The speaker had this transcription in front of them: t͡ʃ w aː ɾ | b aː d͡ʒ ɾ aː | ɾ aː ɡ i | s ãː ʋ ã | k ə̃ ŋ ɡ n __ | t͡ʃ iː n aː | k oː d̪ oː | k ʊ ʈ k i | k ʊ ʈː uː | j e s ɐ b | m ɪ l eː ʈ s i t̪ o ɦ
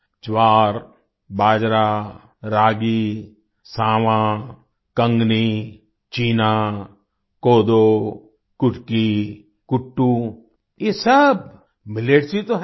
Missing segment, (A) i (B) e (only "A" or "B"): A